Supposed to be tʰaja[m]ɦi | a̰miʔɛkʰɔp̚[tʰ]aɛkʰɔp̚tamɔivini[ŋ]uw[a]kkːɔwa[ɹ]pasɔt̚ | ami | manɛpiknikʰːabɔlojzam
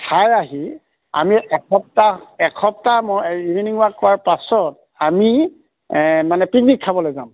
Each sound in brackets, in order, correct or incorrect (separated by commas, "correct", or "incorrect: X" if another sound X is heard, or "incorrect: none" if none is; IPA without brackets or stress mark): incorrect: none, incorrect: t, correct, correct, correct